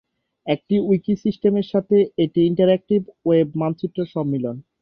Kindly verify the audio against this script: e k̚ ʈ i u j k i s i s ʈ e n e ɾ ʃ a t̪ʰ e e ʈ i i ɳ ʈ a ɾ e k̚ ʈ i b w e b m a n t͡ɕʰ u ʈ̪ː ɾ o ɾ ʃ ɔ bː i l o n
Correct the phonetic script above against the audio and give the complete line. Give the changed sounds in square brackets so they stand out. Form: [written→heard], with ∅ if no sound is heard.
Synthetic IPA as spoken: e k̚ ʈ i u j k i s i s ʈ e [n→m] e ɾ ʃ a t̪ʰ e e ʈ i i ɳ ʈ a ɾ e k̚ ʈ i b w e b m a n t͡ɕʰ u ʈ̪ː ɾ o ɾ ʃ ɔ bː i l o n